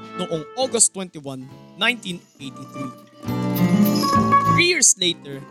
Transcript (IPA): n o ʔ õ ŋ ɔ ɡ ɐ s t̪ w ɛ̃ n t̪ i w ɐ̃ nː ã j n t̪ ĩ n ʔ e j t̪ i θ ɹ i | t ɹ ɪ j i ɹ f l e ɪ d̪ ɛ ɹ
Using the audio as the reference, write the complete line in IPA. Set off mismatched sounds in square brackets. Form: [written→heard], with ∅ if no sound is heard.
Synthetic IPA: n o ʔ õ ŋ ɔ ɡ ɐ s t̪ w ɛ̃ n t̪ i w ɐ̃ nː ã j n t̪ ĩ n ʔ e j t̪ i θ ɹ i | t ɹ [ɪ→i] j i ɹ [f→s] l e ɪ [d̪→t̪] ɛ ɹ